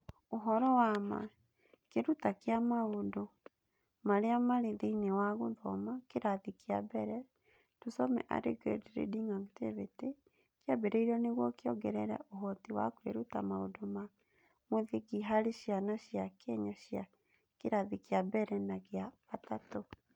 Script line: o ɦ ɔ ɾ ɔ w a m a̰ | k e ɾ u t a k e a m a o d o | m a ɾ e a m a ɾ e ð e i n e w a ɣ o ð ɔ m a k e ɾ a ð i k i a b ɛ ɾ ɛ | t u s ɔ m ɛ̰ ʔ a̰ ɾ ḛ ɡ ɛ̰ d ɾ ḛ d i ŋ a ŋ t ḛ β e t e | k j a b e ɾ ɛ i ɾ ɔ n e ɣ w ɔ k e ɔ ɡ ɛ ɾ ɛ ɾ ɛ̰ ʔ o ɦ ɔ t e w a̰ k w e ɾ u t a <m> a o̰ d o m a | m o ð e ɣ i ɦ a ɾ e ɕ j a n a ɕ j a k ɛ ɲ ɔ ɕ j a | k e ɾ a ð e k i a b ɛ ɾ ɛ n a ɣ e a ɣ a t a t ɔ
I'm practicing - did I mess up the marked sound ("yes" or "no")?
no